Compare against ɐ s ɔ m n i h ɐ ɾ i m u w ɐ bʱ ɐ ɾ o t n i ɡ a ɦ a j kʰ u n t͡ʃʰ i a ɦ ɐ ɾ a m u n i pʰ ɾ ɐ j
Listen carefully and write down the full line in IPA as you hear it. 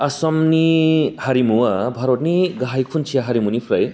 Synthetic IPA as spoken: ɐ s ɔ m n i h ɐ ɾ i m u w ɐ bʱ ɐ ɾ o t n i ɡ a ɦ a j kʰ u n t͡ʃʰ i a ɦ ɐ ɾ i m u n i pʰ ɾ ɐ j